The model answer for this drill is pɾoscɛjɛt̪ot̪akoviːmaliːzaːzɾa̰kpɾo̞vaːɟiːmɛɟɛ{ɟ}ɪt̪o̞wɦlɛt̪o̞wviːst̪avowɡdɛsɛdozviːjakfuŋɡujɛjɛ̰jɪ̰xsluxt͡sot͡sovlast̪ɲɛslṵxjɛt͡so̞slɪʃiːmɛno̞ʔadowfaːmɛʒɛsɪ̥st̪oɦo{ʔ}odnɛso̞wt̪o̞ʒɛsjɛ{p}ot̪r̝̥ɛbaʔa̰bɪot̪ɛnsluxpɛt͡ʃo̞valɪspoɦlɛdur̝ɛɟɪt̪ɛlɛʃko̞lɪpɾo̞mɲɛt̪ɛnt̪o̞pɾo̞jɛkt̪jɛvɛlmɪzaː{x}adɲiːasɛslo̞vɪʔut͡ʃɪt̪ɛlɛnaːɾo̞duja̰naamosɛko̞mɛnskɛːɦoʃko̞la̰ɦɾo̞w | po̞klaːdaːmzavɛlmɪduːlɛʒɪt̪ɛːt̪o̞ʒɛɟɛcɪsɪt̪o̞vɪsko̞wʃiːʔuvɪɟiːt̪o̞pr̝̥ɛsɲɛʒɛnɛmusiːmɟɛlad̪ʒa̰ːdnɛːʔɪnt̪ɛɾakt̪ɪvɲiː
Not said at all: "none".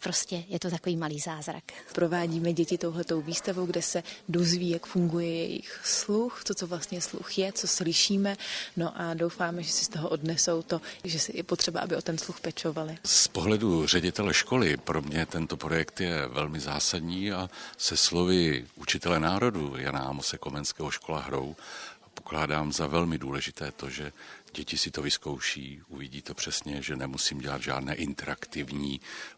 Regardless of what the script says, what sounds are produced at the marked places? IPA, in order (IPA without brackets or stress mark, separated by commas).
c, ʔ, p, s